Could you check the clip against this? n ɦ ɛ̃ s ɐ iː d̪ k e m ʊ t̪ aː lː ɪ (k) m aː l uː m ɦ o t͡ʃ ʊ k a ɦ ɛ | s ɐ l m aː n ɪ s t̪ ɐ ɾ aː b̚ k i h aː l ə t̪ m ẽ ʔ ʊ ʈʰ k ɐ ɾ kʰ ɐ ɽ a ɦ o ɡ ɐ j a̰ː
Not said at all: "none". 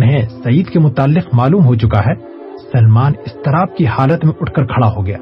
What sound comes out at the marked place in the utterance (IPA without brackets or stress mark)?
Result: q